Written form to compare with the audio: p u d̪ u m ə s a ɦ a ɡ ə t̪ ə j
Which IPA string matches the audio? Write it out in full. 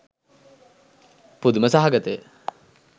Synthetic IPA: p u d̪ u m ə s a ɦ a ɡ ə t̪ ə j